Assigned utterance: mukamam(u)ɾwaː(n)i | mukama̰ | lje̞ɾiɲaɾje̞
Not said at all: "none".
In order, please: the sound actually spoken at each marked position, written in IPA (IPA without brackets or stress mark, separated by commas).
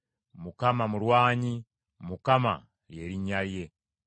u, ɲ